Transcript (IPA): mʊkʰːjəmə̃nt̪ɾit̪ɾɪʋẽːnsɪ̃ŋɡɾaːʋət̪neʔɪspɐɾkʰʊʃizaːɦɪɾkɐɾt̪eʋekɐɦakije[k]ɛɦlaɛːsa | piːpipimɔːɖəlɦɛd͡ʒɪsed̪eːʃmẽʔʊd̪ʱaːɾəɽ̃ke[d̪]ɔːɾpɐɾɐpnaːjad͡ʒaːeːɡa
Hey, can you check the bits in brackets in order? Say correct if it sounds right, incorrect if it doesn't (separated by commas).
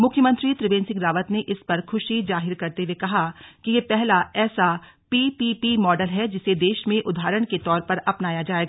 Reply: incorrect, incorrect